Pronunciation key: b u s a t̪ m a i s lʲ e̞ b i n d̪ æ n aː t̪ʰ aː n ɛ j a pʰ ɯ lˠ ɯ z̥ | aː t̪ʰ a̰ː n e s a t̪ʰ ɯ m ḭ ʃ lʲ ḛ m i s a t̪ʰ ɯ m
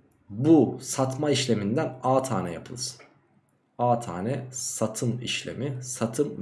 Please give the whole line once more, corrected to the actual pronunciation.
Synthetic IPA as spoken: b u s a t̪ m a i ʃ lʲ e̞ m i n d̪ æ n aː t̪ʰ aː n ɛ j a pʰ ɯ lˠ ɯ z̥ | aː t̪ʰ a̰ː n ɛ s a t̪ʰ ɯ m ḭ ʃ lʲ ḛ m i s a t̪ʰ ɯ m